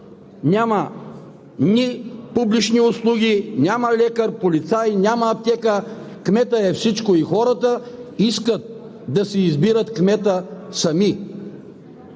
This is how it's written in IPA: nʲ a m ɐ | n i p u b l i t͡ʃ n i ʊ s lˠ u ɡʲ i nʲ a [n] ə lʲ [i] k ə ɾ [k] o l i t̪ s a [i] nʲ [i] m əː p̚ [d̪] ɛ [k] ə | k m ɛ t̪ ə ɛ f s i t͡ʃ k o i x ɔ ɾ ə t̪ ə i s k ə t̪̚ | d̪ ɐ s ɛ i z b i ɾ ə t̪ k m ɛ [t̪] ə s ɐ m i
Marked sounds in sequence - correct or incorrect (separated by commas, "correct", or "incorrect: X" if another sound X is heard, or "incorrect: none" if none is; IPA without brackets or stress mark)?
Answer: incorrect: m, incorrect: ɛ, incorrect: p, incorrect: j, incorrect: a, incorrect: t̪, correct, correct